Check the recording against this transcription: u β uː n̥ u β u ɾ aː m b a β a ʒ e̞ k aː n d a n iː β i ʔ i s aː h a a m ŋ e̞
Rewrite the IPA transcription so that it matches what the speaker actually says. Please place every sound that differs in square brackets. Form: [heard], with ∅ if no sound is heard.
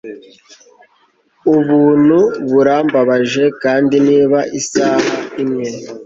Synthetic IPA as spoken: u β uː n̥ u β u ɾ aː m b a β a ʒ e̞ k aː n d [i] n iː β [a] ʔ i s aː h a [i] m ŋ e̞

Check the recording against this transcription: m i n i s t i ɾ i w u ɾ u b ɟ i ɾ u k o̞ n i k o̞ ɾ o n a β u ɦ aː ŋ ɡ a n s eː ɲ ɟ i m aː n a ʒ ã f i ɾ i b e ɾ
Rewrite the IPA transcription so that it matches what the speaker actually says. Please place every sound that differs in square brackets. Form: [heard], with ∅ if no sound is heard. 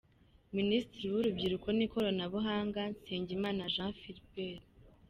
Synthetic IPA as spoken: m i n i s t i ɾ i w u ɾ u b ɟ i ɾ u k o̞ n i k o̞ ɾ o n a β u ɦ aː ŋ ɡ a n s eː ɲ ɟ i m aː n a ʒ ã f i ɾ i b e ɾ

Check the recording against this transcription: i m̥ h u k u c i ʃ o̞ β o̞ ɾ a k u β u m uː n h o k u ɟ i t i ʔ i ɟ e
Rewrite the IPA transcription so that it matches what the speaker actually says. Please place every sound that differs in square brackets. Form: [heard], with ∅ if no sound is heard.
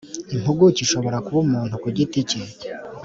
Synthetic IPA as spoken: i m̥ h u [ɡ] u c i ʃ o̞ β o̞ ɾ a k u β u m uː n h [u] k u ɟ i t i [c] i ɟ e

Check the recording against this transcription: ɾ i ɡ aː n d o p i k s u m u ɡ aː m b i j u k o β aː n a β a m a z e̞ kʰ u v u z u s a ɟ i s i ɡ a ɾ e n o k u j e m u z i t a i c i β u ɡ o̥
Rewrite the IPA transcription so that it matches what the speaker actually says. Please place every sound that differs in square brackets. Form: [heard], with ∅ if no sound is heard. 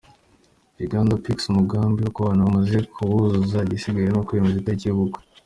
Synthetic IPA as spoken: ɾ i ɡ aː n d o p i k s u m u ɡ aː m b i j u k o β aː n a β a m a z e̞ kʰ u [β] u z u [z] a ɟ i s i ɡ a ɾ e n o k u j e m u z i t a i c i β u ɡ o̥

